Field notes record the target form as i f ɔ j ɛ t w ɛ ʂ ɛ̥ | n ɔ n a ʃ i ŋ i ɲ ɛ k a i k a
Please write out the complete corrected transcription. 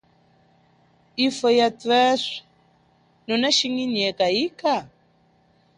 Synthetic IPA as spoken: i f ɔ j a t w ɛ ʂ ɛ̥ | n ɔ n a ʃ i ŋ i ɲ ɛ k a i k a